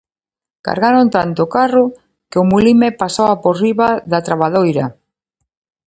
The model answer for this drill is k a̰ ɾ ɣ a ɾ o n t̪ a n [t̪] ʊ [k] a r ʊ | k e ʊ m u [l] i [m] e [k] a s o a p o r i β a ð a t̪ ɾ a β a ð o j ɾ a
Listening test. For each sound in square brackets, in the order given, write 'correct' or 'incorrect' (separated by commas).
correct, correct, correct, correct, incorrect